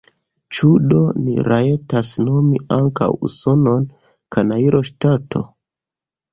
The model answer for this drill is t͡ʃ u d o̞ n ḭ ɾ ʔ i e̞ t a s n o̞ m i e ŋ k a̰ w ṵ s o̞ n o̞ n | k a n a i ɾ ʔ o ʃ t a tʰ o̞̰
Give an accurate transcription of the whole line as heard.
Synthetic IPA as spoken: t͡ʃ u d o̞ n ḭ ɾ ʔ a e̞ t a s n o̞ m i a ŋ k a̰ w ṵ s o̞ n o̞ n | k a n a i ɾ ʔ o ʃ t a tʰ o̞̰